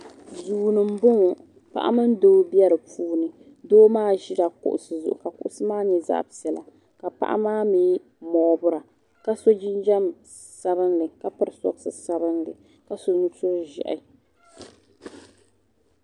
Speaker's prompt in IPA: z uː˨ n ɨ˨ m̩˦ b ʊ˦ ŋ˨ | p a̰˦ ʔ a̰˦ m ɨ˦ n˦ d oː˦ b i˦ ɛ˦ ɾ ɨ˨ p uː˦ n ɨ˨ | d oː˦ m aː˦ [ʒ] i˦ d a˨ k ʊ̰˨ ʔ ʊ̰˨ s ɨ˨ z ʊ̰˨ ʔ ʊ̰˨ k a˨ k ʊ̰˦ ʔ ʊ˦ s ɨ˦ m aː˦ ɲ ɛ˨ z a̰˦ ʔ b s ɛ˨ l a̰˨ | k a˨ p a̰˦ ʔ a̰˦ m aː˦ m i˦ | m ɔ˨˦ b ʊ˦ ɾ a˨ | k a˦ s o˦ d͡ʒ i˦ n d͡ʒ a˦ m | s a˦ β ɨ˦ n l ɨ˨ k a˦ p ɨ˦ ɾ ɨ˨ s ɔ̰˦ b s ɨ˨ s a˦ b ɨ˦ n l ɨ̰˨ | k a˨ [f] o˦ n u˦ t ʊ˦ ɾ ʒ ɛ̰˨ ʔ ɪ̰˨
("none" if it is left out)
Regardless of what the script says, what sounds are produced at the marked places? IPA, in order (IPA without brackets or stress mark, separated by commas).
ʒ, s